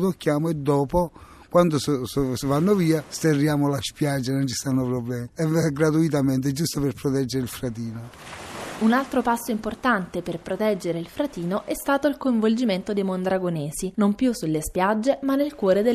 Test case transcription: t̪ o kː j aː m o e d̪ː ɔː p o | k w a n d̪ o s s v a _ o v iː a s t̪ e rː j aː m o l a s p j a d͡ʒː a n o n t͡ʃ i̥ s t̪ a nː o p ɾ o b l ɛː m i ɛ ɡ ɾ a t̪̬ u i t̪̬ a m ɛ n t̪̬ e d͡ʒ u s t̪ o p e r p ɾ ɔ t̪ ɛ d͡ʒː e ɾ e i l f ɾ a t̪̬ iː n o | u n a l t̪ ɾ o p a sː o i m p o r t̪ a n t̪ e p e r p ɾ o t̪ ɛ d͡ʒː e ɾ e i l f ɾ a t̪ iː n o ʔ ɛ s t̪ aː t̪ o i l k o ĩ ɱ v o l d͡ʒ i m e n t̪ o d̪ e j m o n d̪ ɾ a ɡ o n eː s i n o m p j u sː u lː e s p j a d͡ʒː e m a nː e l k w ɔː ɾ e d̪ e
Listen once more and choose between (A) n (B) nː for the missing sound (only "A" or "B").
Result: B